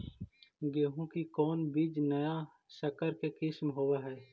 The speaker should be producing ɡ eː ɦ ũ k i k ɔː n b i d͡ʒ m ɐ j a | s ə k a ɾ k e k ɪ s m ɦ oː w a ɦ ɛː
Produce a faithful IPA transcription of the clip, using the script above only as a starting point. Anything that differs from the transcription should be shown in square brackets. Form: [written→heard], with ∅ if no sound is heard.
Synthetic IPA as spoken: ɡ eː ɦ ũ k i k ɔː n b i d͡ʒ [m→n] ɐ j a | s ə k [a→ə] ɾ k e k ɪ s m ɦ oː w a ɦ ɛː